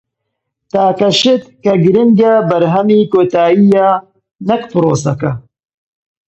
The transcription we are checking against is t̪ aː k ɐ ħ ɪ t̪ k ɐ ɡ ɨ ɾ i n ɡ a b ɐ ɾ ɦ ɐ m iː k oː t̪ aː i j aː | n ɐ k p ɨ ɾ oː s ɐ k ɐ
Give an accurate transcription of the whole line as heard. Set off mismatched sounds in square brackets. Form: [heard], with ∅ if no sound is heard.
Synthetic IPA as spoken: t̪ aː k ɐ [ʃ] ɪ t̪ k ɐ ɡ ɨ ɾ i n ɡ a b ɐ ɾ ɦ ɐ m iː k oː t̪ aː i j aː | n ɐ k p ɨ ɾ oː s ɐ k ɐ